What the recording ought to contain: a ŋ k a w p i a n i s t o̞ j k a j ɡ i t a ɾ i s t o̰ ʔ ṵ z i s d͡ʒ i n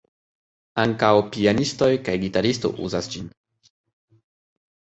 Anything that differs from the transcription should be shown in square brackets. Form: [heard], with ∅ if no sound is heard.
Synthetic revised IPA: a ŋ k a w p i a n i s t o̞ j k a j ɡ i t a ɾ i s t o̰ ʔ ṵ z [a] s d͡ʒ i n